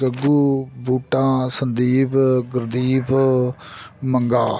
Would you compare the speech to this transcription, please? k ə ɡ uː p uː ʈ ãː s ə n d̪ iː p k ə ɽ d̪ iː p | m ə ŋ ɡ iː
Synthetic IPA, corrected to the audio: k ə ɡ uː b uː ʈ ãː s ə n d̪ iː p ɡ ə ɾ d̪ iː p | m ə ŋ ɡ aː